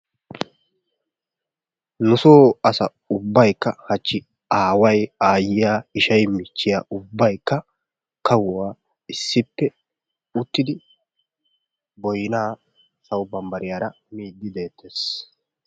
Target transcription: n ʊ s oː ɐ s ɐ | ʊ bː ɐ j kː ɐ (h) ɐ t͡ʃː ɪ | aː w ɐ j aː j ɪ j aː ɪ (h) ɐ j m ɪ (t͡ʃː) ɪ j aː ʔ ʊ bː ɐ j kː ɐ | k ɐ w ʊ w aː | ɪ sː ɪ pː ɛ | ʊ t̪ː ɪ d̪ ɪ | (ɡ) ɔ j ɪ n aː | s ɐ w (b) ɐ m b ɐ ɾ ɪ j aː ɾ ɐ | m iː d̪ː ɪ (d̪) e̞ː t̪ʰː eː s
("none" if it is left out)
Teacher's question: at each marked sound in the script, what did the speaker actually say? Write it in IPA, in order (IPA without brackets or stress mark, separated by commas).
h, ʃ, t͡ʃː, b, b, d̪